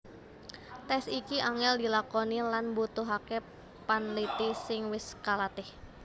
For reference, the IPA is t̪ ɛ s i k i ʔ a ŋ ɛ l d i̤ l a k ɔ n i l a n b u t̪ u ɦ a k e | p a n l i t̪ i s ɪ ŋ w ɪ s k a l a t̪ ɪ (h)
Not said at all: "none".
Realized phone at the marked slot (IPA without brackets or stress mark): h